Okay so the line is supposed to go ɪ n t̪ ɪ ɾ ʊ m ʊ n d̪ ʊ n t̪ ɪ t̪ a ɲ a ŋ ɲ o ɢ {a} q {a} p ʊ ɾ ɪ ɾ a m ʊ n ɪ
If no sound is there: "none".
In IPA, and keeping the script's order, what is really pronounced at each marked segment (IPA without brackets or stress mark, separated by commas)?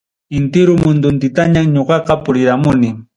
ɑ, ɑ